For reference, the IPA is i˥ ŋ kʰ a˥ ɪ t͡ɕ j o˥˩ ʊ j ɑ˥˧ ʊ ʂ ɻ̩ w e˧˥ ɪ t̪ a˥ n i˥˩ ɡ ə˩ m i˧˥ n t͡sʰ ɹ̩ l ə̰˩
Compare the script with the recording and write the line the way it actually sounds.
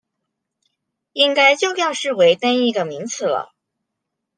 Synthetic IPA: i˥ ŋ k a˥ ɪ t͡ɕ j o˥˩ ʊ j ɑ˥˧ ʊ ʂ ɻ̩ w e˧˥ ɪ t̪ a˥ n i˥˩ ɡ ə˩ m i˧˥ ŋ t͡sʰ ɹ̩ l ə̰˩